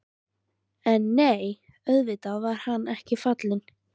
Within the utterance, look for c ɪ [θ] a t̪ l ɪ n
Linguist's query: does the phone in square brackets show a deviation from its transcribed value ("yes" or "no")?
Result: yes